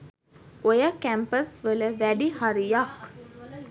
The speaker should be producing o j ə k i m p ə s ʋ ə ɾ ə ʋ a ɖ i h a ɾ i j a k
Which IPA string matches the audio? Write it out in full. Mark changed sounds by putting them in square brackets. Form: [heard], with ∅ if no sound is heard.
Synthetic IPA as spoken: o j ə k [æ] m p ə s ʋ ə [l] ə ʋ [æ] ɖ i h a ɾ i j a k